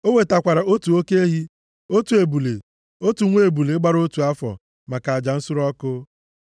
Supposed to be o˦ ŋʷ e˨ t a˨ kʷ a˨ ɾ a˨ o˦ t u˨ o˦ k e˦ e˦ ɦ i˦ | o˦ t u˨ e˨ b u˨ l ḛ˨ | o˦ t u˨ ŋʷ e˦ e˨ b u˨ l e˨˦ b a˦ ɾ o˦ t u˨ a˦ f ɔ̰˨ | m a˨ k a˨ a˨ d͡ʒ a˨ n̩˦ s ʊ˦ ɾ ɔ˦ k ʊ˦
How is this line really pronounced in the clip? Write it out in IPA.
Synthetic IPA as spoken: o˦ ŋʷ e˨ t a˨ kʷ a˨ ɾ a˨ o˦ t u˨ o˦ k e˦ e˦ ɦ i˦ | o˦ t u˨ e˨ b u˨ l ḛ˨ | o˦ t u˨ ŋʷ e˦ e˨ b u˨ l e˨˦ ɡ͡b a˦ ɾ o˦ t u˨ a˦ f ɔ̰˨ | m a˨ k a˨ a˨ d͡ʒ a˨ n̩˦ s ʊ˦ ɾ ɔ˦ k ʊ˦